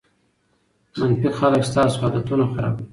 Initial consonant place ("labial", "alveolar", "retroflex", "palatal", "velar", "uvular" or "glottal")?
labial